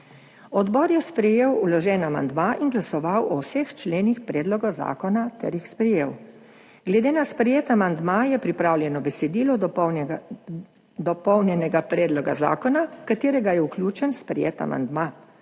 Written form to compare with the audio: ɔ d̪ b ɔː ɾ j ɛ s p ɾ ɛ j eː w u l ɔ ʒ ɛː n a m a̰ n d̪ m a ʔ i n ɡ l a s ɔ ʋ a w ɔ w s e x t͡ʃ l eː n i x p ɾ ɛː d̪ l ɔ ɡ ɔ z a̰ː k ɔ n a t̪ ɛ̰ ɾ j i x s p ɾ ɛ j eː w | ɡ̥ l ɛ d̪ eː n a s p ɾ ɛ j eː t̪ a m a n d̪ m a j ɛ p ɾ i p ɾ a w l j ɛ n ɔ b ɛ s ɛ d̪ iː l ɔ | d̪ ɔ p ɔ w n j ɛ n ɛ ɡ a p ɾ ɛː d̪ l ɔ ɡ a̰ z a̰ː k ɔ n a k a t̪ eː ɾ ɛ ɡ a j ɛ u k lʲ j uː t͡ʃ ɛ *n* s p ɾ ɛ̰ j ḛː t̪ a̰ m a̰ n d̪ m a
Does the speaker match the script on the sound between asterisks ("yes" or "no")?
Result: yes